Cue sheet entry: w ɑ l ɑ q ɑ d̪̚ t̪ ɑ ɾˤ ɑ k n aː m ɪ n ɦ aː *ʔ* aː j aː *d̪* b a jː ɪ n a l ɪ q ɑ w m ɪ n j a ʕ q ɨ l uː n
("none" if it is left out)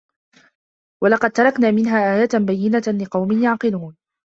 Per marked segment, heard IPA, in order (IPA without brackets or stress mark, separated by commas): ʔ, t̪